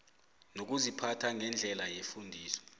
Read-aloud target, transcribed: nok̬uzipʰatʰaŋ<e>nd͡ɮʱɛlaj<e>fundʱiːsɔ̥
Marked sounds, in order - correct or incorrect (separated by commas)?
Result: incorrect, correct